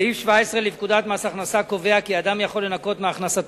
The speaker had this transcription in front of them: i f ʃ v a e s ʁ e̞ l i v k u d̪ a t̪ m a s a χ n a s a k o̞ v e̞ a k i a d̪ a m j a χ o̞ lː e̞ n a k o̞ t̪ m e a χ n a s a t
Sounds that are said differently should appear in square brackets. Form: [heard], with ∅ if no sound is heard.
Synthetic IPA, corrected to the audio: i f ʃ v a e s ʁ e̞ l i v k u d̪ a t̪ m a s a χ n a s a k o̞ v e̞ a k i a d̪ a m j a χ o̞ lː e̞ n a k o̞ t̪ m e a χ n a s a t